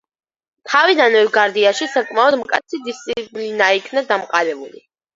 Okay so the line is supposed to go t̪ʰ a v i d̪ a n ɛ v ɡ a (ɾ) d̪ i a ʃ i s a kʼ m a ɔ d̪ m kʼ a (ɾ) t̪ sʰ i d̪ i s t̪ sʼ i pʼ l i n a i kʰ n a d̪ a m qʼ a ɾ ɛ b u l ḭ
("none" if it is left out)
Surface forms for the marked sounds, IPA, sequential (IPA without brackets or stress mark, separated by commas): ɾ, none